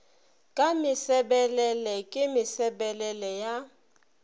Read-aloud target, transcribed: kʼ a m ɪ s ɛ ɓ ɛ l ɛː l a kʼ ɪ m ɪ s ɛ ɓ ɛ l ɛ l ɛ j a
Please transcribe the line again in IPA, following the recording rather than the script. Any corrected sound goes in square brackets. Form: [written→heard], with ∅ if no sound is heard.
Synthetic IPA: kʼ a m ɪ s ɛ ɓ ɛ l [ɛː→ɛ] l [a→ɛ] kʼ ɪ m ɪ s ɛ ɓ ɛ l ɛ l ɛ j a